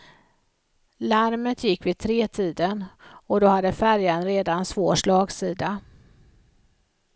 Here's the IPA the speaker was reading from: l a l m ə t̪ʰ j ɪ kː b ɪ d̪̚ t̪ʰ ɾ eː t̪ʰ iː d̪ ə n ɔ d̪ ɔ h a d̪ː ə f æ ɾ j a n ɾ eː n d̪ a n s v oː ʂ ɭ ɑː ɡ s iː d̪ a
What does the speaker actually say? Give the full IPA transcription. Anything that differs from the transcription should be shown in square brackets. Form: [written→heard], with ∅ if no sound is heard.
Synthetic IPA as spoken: l a [l→ɾ] m ə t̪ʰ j ɪ kː [b→v] ɪ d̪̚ t̪ʰ ɾ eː t̪ʰ iː d̪ ə n ɔ d̪ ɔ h a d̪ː ə f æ ɾ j a n ɾ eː [n→∅] d̪ a n s v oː ʂ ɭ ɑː ɡ s iː d̪ a